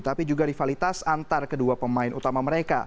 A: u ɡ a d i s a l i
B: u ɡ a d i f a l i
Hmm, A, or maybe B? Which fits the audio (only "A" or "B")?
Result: B